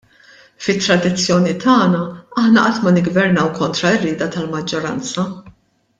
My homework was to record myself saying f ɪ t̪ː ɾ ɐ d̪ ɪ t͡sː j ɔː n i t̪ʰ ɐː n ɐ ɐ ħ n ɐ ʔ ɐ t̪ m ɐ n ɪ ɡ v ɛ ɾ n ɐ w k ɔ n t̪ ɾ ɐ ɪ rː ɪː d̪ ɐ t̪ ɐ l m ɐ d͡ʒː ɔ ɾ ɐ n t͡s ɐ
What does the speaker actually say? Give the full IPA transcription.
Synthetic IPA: f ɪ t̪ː ɾ ɐ d̪ ɪ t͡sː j ɔː n i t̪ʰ ɐː n ɐ ɐ ħ n ɐ ʔ ɐ t̪ m ɐ n ɪ ɡ v ɛ ɾ n ɐ w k ɔ n t̪ ɾ ɐ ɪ rː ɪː d̪ ɐ t̪ ɐ l m ɐ d͡ʒː ɔ ɾ ɐ n t͡s ɐ